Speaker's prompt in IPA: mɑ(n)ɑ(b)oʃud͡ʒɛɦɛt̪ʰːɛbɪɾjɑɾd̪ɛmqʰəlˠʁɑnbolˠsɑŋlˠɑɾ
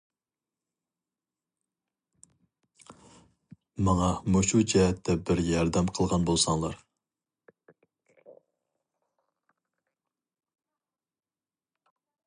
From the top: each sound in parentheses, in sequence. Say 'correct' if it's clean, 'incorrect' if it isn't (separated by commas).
incorrect, incorrect